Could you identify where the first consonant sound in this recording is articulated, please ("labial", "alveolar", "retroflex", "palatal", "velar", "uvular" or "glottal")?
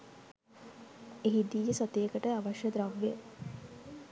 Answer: glottal